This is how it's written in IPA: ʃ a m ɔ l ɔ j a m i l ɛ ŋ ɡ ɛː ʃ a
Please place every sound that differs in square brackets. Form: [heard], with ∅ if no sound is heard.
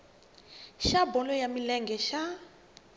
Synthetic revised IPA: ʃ a [b] ɔ l ɔ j a m i l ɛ ŋ ɡ [ɛ] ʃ a